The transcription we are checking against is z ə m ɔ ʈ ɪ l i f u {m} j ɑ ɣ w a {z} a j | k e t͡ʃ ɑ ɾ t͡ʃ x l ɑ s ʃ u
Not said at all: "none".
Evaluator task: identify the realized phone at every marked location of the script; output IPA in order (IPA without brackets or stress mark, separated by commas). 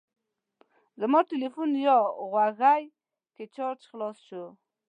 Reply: n, ɣ